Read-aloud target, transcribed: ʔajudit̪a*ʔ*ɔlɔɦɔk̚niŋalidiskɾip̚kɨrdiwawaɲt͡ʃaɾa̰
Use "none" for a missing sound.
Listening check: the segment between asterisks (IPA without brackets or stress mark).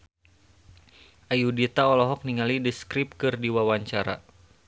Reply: none